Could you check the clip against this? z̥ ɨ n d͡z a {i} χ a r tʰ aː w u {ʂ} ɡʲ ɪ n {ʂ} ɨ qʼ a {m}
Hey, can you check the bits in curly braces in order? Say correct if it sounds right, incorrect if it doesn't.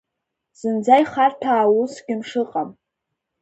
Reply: incorrect, incorrect, correct, correct

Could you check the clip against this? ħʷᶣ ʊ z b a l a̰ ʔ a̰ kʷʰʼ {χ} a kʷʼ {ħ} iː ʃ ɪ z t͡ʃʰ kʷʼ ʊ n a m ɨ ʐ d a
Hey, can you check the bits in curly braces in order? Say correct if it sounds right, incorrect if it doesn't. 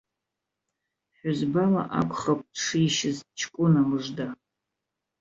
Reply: correct, incorrect

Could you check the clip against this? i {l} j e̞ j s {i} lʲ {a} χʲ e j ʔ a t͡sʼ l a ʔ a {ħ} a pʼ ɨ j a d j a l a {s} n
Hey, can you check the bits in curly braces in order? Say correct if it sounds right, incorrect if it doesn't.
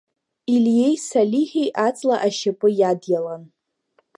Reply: correct, incorrect, incorrect, incorrect, incorrect

